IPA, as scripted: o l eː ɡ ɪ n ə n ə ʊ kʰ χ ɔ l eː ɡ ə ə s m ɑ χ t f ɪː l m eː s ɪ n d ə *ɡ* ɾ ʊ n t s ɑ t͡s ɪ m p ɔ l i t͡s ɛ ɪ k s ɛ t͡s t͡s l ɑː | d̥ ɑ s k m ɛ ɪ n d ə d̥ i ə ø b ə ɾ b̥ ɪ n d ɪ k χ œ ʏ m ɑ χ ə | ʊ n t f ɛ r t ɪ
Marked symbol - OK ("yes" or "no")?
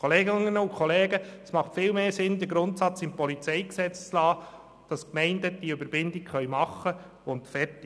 yes